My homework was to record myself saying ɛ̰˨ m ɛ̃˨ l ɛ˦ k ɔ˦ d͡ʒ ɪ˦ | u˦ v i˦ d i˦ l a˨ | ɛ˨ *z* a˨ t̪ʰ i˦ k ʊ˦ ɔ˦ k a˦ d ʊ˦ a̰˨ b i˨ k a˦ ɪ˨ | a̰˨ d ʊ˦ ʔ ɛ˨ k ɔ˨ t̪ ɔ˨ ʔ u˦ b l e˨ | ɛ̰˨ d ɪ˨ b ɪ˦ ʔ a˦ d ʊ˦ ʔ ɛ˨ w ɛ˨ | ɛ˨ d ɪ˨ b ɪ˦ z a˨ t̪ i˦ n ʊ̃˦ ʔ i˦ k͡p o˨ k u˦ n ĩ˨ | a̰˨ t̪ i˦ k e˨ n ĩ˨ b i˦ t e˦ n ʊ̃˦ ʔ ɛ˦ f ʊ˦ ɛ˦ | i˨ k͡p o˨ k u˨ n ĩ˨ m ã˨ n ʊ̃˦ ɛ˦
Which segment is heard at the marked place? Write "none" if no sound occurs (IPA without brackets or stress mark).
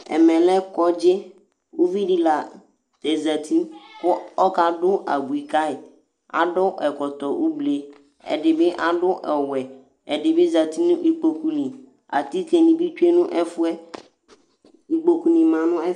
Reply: z